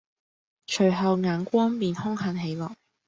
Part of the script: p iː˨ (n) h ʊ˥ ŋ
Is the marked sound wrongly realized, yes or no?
no